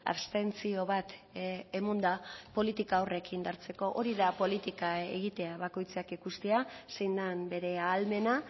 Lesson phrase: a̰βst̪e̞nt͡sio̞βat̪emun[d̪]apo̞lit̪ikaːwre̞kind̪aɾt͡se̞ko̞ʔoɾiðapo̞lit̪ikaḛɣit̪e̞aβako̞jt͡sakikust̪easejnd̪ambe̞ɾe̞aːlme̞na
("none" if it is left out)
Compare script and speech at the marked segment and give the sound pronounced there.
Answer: d̪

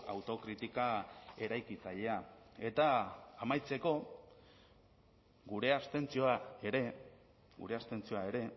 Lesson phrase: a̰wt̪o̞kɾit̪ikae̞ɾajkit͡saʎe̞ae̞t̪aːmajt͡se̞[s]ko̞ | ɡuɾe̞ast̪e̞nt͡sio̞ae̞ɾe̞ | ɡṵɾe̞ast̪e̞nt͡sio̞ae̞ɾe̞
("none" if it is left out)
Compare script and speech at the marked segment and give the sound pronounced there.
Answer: none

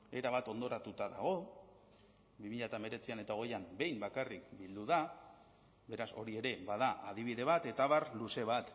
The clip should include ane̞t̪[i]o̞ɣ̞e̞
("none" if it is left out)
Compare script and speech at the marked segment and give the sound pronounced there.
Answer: a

